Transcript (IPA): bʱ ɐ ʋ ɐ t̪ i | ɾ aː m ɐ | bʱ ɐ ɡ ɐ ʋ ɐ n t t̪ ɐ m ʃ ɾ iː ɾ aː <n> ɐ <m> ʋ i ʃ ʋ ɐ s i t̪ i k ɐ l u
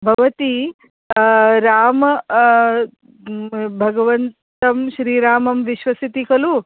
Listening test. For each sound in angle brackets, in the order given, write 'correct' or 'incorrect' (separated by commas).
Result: incorrect, correct